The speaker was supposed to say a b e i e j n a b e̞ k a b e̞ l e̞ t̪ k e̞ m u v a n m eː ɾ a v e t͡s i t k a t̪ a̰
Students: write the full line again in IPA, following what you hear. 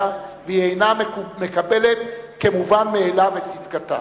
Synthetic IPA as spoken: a v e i e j n a m e̞ k a b e̞ l e̞ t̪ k e̞ m u v a n m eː l a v e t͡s i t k a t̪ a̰